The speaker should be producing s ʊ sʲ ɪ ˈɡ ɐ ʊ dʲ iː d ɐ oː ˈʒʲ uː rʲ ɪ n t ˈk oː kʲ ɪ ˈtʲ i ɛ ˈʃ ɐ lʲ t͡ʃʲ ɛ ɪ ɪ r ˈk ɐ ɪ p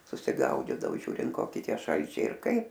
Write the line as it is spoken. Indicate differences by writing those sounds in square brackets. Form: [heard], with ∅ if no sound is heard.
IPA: s ʊ sʲ ɪ ˈɡ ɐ ʊ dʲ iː d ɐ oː ˈʒʲ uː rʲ ɪ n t ˈk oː kʲ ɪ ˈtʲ i ɛ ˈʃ ɐ lʲ t͡ʃʲ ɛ ɪ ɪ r ˈk ɐ ɪ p